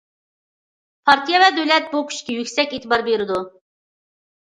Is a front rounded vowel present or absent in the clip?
present